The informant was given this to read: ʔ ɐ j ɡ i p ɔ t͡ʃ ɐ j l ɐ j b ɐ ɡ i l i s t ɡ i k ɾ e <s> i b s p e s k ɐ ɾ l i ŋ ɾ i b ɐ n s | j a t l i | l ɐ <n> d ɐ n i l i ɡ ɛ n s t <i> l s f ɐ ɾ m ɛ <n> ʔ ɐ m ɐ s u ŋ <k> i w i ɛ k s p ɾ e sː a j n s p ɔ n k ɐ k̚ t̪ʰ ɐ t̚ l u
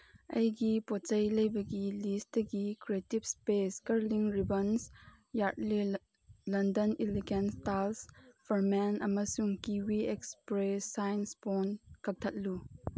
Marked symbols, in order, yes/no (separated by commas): no, yes, no, yes, yes